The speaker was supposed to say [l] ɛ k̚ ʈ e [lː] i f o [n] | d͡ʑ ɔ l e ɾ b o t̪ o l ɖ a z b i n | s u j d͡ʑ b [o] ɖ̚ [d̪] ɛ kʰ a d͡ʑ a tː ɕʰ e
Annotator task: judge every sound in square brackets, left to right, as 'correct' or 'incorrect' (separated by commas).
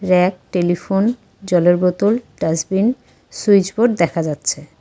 incorrect, incorrect, correct, correct, correct